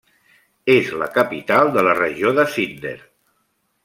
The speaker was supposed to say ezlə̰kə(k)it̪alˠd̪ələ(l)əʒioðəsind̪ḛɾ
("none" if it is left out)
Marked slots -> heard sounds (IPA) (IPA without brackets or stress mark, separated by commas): p, r